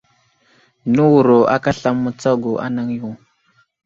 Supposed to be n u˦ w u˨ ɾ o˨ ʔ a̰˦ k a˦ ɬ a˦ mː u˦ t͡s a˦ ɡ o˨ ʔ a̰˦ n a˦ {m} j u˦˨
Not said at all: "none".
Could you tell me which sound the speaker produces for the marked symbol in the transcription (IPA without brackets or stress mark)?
ŋ